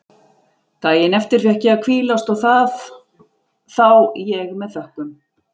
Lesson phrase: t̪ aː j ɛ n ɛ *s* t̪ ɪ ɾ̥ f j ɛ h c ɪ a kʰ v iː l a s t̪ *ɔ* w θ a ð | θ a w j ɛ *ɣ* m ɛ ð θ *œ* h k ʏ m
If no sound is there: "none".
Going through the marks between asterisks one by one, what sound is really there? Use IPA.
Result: f, ɔ, ɣ, œ

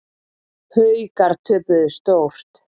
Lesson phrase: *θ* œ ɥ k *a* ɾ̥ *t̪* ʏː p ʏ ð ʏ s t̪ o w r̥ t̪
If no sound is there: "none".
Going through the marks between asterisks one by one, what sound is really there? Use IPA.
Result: h, a, t̪ʰ

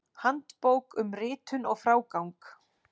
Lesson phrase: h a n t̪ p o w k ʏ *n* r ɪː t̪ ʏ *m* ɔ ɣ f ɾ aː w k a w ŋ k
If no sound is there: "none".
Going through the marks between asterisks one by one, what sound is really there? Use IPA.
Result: m, n

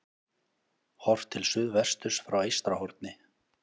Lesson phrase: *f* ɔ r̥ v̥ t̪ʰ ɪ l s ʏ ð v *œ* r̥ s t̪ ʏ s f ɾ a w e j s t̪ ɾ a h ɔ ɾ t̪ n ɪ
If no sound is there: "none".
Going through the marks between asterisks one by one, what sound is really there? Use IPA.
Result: h, ɛ

